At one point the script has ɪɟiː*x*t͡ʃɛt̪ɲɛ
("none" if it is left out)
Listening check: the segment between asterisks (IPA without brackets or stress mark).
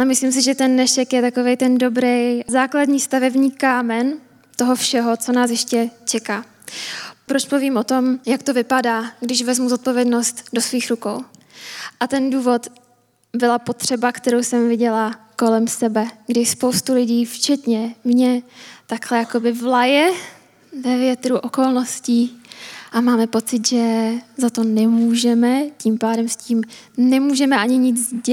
f